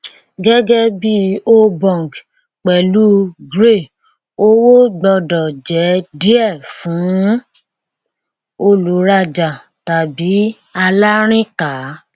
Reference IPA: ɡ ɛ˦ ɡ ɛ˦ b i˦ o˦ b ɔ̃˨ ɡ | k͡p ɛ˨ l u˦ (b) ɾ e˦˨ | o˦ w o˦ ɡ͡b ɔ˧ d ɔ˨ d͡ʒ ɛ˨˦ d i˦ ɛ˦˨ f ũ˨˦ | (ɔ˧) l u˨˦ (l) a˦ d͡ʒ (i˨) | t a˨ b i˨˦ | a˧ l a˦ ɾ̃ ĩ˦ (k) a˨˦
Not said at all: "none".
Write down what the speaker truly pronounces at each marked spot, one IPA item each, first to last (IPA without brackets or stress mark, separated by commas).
ɡ, o˧, ɾ, a˨, k